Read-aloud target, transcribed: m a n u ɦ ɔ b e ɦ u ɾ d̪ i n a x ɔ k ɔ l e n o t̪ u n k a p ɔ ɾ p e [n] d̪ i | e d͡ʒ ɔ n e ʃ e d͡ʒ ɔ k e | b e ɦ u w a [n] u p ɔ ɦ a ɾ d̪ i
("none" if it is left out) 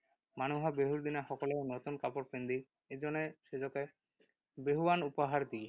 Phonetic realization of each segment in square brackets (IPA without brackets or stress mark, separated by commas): n, n